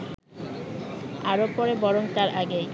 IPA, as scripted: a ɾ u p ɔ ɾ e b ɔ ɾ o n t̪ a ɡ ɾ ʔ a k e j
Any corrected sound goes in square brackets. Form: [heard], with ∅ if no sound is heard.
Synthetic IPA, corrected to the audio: a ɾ [o] p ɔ ɾ e b ɔ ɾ o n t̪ a [∅] ɾ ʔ a [ɡ] e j

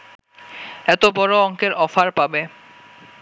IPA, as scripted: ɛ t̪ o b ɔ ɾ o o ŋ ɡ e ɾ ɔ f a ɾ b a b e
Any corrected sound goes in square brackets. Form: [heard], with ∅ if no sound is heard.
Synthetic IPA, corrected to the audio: ɛ t̪ o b ɔ ɾ o [ɔ] ŋ [k] e ɾ ɔ f a ɾ [p] a b e

